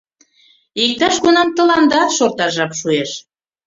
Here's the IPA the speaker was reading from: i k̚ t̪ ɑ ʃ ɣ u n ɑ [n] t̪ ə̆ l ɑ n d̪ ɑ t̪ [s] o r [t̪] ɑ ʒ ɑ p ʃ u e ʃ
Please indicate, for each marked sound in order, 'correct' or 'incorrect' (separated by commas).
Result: incorrect, incorrect, correct